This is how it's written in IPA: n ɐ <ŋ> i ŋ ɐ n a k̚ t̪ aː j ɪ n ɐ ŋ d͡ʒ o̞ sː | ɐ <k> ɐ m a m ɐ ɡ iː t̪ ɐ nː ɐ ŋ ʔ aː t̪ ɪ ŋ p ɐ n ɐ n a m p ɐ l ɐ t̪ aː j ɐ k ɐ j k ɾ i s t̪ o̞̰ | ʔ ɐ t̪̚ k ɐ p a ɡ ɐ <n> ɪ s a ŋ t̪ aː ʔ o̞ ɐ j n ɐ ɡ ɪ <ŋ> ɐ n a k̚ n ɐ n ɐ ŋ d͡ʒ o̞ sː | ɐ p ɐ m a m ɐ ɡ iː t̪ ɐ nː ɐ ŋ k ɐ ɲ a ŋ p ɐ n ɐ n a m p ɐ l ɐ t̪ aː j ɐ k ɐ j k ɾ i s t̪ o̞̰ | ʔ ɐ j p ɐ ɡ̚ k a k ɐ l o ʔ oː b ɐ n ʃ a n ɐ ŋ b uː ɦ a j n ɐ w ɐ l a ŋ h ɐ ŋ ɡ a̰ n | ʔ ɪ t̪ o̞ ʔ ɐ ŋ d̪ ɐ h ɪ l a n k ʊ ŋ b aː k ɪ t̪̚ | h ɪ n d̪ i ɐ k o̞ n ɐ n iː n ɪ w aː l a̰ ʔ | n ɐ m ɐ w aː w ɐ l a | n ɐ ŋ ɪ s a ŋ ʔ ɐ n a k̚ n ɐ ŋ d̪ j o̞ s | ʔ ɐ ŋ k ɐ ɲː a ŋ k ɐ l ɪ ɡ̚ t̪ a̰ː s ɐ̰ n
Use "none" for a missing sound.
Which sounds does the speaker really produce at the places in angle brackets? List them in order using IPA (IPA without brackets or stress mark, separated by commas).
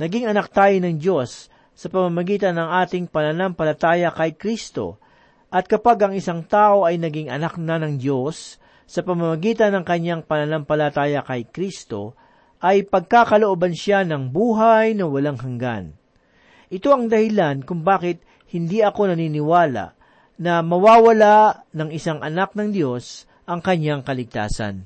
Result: ɡ, p, ŋ, ŋ